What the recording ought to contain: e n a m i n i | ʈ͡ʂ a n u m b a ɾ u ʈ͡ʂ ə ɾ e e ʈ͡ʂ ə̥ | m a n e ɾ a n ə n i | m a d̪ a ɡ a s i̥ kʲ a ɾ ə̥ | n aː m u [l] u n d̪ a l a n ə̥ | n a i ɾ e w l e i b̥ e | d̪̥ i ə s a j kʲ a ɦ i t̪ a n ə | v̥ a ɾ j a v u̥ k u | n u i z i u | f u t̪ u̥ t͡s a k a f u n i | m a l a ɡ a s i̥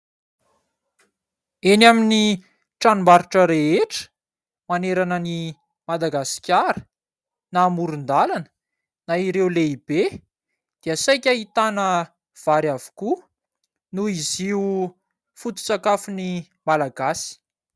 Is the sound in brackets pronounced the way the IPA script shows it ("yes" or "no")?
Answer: no